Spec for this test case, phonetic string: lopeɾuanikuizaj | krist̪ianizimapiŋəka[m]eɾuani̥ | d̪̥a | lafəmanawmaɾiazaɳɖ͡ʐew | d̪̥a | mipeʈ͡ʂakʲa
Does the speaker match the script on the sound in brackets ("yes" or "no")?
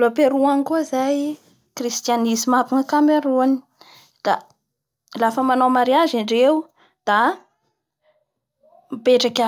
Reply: yes